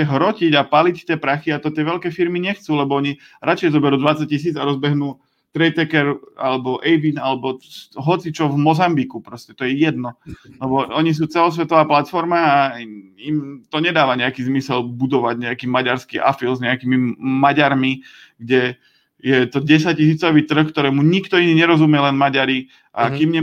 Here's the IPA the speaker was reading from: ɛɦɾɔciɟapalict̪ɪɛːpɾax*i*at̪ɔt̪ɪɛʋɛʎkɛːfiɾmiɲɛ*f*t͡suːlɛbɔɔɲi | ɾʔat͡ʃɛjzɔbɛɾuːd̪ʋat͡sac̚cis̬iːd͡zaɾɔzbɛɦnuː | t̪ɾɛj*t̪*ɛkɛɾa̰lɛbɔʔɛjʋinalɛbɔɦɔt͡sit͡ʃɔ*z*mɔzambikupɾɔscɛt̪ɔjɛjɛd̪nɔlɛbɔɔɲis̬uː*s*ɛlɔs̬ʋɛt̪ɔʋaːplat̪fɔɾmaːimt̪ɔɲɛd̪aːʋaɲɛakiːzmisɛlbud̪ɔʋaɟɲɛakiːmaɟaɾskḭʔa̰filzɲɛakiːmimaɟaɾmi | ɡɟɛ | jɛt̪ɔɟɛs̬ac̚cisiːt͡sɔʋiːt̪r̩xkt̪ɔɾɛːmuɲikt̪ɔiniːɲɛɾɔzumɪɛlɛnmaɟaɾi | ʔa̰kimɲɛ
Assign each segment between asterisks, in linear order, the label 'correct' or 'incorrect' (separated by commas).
correct, incorrect, correct, incorrect, incorrect